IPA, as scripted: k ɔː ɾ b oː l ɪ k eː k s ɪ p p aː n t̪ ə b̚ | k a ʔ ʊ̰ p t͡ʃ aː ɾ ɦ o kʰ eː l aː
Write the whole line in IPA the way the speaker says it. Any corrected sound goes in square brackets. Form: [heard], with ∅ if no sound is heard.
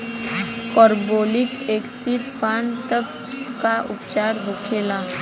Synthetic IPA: k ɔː ɾ b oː l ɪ k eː k s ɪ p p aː n t̪ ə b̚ | k a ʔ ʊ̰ p t͡ʃ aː ɾ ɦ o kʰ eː l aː